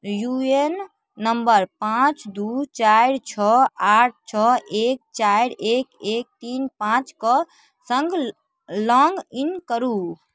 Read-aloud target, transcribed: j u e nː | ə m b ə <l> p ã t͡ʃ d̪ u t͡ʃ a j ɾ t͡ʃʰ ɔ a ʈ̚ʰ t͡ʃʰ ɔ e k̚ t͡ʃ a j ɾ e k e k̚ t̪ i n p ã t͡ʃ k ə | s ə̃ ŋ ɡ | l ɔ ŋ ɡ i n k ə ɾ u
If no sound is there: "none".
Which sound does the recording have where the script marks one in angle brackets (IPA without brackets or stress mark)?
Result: ɾ